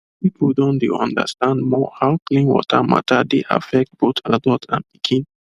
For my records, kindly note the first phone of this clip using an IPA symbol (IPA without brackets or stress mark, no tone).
p